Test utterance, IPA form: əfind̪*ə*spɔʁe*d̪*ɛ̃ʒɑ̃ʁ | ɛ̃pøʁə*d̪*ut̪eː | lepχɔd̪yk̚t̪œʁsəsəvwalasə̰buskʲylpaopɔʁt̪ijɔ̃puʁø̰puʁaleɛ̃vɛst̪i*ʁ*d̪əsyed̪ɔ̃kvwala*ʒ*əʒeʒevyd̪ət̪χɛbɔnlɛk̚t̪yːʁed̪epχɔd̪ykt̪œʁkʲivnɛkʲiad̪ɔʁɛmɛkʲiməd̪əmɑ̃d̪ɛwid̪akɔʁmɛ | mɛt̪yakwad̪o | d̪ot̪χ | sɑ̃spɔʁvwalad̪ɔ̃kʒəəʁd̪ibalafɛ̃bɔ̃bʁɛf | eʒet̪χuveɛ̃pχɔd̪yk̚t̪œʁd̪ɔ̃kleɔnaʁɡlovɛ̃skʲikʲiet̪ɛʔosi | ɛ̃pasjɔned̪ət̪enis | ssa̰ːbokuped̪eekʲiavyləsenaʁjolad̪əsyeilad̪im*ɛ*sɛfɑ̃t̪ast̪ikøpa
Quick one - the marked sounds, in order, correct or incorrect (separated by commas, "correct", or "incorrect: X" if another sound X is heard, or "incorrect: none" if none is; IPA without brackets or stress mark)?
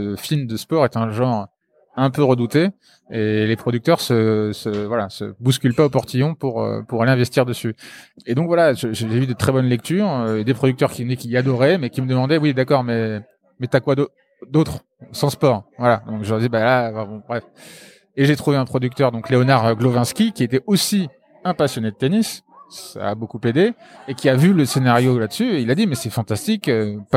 correct, incorrect: t̪, correct, correct, correct, correct